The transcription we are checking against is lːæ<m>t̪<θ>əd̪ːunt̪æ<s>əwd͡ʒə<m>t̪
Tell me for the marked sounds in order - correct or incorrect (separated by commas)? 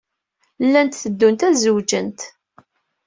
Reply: incorrect, correct, incorrect, incorrect